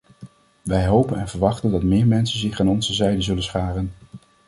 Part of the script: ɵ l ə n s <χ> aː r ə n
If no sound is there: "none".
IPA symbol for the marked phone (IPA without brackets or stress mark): χ